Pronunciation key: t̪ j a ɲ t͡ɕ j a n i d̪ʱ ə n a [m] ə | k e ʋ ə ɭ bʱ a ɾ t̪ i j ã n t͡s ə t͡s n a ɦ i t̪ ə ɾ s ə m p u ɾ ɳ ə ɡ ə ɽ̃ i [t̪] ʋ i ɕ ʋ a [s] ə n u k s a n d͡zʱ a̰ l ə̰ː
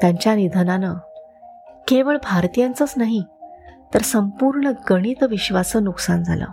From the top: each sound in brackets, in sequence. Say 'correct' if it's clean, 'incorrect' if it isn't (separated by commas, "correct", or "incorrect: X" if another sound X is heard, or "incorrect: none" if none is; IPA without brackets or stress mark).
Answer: incorrect: n, correct, correct